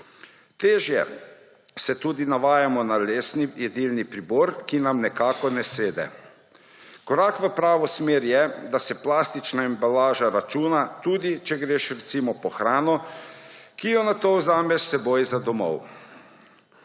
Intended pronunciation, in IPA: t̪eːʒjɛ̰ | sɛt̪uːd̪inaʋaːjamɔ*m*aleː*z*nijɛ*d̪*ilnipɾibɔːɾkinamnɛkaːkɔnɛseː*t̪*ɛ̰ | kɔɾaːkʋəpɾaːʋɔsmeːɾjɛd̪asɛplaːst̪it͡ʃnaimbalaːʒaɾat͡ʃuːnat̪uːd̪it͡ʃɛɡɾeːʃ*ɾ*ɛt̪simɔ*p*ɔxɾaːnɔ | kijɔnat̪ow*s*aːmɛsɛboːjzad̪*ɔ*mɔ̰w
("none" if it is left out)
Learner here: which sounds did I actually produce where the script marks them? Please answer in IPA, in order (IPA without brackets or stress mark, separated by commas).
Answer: n, s, d̪, d̪, ɾ, p, z, ɔ